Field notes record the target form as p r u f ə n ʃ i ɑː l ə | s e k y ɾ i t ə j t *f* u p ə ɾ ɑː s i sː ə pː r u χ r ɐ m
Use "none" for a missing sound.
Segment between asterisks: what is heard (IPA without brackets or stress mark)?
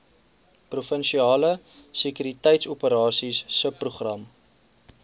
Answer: s